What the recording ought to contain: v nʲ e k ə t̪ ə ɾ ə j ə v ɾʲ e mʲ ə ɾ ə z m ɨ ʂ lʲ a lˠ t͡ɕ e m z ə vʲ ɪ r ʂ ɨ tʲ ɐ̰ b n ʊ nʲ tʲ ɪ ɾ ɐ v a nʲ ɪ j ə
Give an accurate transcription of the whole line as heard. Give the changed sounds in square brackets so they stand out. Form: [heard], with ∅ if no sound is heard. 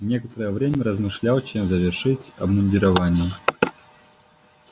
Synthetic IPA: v nʲ e k ə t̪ ə ɾ ə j ə v ɾʲ e mʲ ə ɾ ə z m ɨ ʂ lʲ a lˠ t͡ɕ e m z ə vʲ ɪ r ʂ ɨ tʲ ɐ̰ b n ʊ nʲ [dʲ] ɪ ɾ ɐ v a nʲ ɪ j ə